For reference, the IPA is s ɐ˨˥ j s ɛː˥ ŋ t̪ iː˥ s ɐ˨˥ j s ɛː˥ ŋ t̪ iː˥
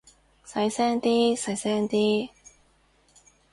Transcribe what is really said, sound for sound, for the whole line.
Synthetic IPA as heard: s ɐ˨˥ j s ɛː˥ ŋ t̪ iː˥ s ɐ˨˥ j s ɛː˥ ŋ t̪ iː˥